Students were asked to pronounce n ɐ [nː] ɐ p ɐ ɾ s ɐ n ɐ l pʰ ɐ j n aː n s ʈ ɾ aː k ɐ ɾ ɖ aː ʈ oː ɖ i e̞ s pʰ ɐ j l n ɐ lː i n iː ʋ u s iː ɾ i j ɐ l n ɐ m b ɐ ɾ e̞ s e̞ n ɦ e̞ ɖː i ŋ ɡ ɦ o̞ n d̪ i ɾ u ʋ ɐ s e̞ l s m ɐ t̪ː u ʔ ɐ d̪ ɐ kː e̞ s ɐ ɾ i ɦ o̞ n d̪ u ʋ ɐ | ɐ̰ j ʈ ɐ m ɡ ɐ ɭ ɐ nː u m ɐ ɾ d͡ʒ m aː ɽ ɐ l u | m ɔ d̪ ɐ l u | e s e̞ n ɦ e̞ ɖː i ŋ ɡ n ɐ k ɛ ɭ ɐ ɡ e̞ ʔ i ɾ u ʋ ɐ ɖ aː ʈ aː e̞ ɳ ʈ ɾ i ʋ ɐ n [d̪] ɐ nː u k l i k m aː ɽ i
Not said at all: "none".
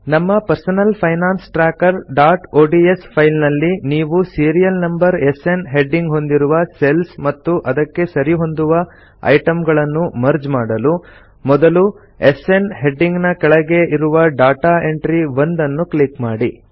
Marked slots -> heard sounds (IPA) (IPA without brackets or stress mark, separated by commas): mː, d̪